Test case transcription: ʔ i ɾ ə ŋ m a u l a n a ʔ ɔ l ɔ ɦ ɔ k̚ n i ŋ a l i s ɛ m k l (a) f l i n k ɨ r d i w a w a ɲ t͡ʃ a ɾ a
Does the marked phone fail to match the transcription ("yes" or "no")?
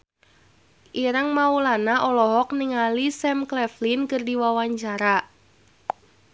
yes